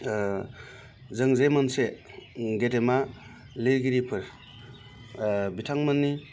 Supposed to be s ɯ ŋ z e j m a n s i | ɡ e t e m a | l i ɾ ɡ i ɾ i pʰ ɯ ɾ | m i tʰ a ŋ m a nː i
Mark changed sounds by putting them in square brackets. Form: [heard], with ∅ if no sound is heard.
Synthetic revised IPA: [z] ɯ ŋ z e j m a n s [e] | ɡ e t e m a | l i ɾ ɡ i ɾ i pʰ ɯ ɾ | [b] i tʰ a ŋ m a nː i